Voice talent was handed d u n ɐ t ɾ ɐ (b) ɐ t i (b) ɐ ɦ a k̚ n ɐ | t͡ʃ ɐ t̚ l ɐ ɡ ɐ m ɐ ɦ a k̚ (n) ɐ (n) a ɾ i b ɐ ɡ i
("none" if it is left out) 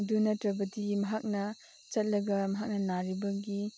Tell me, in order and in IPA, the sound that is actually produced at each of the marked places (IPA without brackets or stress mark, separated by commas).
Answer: b, m, n, n